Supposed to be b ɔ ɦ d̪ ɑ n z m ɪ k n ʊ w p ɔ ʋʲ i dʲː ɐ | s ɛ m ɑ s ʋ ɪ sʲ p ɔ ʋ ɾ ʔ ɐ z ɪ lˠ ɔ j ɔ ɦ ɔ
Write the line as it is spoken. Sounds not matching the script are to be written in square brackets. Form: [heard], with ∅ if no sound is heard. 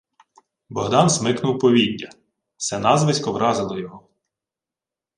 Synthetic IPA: b ɔ ɦ d̪ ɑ n z m ɪ k n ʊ w p ɔ ʋʲ i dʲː ɐ | s ɛ [n] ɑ [z] ʋ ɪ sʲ [k] ɔ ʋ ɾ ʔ [ɑ] z ɪ lˠ ɔ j ɔ ɦ ɔ